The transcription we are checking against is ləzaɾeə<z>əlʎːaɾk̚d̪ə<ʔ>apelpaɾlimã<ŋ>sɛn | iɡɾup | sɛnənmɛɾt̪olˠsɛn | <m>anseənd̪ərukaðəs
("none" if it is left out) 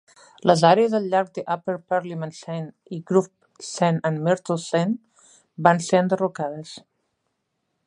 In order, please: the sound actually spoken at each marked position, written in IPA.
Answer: z, ʔ, n, b

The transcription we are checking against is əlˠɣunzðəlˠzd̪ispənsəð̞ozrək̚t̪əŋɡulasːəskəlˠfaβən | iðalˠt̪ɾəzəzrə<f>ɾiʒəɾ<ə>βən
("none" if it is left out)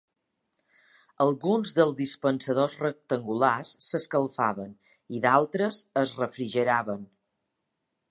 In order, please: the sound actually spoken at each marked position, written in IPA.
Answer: f, a

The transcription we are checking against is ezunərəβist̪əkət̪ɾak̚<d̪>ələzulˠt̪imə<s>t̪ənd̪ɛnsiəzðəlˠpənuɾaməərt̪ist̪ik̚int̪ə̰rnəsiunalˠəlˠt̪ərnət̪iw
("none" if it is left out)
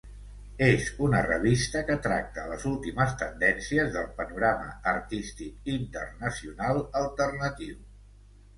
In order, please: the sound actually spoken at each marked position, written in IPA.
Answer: t̪, s

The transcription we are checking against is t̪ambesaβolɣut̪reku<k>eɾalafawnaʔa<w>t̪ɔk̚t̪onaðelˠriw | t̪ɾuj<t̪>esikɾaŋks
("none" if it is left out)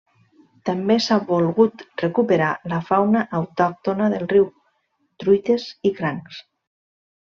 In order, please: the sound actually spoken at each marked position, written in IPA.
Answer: p, w, t̪

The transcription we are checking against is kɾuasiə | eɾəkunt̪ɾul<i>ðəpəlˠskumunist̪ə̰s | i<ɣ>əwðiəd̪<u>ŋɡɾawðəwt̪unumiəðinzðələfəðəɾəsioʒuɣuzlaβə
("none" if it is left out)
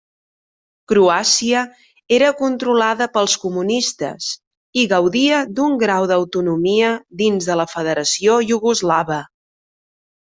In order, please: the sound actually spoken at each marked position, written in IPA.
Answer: a, ɣ, u

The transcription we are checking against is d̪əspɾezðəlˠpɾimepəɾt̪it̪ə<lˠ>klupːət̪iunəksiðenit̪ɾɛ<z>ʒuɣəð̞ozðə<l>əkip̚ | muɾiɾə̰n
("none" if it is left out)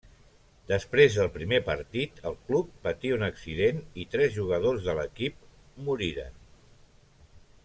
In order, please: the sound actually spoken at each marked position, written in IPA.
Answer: lˠ, z, l

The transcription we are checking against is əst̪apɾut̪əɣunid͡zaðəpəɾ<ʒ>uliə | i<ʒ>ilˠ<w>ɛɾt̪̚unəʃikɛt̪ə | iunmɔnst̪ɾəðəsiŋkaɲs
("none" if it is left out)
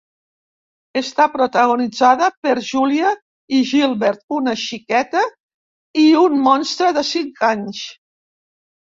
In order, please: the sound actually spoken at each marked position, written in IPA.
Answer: ʒ, ʒ, β

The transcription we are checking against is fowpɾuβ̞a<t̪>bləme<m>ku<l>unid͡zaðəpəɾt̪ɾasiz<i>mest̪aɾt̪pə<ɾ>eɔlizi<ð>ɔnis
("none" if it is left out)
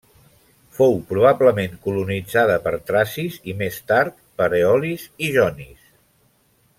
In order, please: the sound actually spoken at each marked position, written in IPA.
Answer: none, ŋ, l, i, ɾ, ʒ

